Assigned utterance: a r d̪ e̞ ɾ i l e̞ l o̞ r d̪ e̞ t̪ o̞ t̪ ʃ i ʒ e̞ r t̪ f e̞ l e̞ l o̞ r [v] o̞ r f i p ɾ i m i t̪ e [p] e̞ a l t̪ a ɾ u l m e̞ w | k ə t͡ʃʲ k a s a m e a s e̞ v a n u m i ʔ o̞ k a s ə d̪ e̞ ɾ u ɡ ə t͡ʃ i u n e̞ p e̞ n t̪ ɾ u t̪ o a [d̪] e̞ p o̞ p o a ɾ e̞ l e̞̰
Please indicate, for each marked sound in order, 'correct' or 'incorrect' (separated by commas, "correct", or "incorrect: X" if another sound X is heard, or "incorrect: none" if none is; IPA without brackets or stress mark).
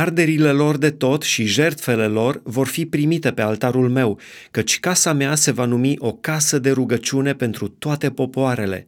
correct, correct, incorrect: t̪